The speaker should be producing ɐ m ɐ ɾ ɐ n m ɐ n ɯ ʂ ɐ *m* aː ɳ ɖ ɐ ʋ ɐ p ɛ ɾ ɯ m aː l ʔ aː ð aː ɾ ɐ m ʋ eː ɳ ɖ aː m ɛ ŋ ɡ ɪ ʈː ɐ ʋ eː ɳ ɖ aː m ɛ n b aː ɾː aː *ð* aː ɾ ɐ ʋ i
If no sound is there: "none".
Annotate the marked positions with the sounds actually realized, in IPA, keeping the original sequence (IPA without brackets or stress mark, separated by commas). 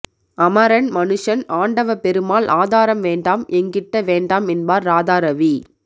n, ð